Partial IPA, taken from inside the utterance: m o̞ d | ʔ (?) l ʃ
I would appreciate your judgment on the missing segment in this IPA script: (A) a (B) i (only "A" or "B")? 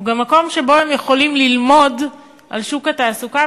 A